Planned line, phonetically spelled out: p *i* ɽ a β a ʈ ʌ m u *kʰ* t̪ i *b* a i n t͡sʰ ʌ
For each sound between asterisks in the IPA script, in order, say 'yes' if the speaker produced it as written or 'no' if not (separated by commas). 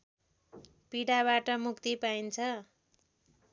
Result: yes, no, no